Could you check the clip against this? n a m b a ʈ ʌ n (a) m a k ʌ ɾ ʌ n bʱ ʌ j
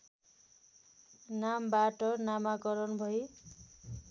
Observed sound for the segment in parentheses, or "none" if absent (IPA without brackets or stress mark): a